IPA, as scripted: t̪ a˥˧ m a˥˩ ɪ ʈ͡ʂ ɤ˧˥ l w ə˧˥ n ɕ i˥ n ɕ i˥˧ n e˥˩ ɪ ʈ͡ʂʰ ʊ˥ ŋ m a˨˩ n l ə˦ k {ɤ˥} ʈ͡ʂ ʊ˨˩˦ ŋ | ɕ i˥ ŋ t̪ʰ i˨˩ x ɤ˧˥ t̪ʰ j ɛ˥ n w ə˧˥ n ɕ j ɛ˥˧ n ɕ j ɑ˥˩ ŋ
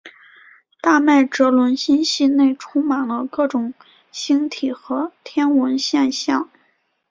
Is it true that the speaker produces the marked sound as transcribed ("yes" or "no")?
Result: no